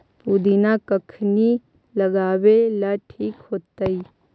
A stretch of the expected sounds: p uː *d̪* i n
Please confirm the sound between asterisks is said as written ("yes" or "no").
yes